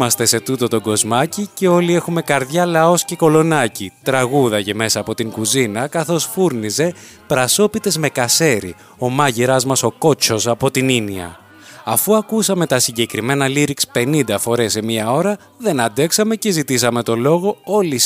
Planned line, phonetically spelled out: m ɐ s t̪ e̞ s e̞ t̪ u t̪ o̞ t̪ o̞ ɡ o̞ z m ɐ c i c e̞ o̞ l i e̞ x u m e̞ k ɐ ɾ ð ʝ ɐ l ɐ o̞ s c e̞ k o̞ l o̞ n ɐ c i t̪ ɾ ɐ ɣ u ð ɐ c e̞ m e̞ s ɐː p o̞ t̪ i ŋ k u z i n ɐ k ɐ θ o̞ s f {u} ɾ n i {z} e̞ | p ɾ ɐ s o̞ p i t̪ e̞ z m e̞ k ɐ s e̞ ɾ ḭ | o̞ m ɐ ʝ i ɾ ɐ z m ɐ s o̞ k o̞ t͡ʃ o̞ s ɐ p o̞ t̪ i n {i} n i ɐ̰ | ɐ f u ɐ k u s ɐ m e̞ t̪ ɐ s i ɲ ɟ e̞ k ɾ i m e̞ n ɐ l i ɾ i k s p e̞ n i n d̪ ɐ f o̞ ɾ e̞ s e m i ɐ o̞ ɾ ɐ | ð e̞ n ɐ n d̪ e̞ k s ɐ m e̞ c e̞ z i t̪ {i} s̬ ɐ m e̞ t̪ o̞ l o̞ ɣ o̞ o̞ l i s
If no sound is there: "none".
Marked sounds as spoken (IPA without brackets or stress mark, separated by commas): u, z, i, i